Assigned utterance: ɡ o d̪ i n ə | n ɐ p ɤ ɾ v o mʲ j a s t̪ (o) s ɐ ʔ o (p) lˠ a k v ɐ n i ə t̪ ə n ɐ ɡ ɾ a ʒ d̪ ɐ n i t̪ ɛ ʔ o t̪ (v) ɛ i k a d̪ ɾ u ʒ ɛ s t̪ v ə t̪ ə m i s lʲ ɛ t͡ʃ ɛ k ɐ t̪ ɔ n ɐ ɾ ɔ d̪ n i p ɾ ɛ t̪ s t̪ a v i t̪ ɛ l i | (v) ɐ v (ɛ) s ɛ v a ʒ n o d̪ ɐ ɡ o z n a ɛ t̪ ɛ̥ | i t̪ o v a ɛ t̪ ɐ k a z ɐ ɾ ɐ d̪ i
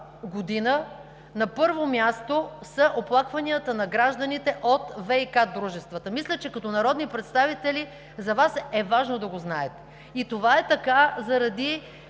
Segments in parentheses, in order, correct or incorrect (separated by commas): correct, correct, correct, incorrect, incorrect